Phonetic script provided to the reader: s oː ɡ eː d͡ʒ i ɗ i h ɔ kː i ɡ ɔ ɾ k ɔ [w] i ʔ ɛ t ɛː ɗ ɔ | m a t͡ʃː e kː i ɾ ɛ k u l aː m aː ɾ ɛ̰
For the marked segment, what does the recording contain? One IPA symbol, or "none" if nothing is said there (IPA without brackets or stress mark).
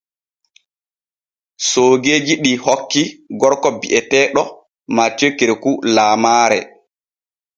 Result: b